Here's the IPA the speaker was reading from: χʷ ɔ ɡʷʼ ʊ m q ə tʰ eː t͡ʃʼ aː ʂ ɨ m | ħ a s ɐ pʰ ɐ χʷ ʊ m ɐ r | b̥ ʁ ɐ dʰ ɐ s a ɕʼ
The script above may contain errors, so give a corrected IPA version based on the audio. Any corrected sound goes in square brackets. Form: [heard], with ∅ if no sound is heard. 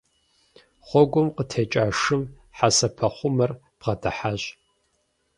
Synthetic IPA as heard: χʷ ɔ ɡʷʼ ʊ m q ə tʰ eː t͡ʃʼ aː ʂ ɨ m | ħ a s ɐ pʰ ɐ χʷ ʊ m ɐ r | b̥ ʁ ɐ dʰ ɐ [ħ] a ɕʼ